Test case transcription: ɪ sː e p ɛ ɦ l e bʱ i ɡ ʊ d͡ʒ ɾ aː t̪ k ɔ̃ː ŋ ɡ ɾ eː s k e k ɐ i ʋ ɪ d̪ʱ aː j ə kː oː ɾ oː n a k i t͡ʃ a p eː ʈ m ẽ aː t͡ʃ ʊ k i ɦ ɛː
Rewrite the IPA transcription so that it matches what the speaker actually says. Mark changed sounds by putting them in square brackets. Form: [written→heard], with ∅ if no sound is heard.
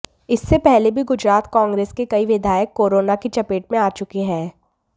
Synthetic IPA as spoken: ɪ sː e p ɛ ɦ l e bʱ i ɡ ʊ d͡ʒ ɾ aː t̪ k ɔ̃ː ŋ ɡ ɾ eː s k e k ɐ i ʋ ɪ d̪ʱ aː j ə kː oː ɾ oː n a k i t͡ʃ [a→ɐ] p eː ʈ m ẽ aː t͡ʃ ʊ k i ɦ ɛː